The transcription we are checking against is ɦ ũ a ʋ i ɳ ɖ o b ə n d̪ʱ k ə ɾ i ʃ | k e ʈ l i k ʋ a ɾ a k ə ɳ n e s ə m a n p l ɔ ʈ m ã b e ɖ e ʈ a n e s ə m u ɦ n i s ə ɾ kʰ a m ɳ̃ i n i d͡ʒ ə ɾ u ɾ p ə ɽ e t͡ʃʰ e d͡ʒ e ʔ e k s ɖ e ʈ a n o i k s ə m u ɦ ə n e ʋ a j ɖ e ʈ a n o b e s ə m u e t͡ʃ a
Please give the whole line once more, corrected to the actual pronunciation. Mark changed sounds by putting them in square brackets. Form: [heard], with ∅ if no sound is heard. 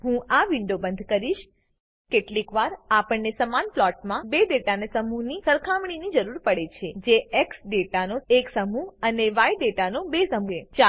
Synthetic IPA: ɦ ũ a ʋ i ɳ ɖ o b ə n d̪ʱ k ə ɾ i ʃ | k e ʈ l i k ʋ a ɾ a [p] ə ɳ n e s ə m a n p l ɔ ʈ m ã b e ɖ e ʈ a n e s ə m u ɦ n i s ə ɾ kʰ a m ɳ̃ i n i d͡ʒ ə ɾ u ɾ p ə ɽ e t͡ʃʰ e d͡ʒ e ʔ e k s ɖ e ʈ a n o [e] k s ə m u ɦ ə n e ʋ a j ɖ e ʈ a n o b e s ə m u e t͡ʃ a